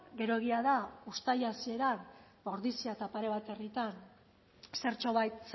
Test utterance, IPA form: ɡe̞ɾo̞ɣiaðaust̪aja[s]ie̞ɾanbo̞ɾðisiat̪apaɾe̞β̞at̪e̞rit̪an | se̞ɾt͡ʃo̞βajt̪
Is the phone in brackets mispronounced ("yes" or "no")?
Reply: no